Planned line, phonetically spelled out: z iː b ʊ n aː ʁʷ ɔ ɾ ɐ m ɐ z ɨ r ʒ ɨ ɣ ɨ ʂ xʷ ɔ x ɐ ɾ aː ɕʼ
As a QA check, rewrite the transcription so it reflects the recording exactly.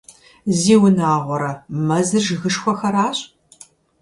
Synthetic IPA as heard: z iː w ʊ n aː ʁʷ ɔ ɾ ɐ m ɐ z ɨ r ʒ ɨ ɣ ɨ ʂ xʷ ɔ x ɐ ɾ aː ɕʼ